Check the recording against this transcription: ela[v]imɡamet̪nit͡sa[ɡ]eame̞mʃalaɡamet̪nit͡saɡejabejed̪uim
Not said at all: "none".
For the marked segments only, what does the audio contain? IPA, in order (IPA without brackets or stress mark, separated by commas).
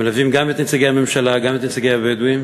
v, ɡ